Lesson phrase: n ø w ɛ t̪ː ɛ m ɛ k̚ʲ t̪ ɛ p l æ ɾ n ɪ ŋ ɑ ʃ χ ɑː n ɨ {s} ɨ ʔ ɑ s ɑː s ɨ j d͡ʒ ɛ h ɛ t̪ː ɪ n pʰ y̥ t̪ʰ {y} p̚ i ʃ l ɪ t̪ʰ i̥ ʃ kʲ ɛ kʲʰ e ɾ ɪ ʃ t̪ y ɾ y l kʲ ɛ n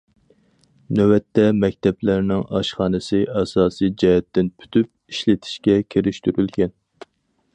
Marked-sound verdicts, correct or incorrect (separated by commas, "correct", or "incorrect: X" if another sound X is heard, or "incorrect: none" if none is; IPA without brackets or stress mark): correct, correct